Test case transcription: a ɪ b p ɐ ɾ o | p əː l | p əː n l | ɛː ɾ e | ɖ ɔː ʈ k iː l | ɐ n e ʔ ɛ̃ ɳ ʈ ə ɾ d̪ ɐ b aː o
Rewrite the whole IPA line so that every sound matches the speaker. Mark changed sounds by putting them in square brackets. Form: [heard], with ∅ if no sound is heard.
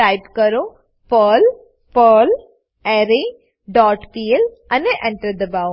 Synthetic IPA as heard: a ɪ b [k] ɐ ɾ o | p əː l | p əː [∅] l | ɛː ɾ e | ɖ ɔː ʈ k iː l | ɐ n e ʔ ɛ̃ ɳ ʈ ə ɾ d̪ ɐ b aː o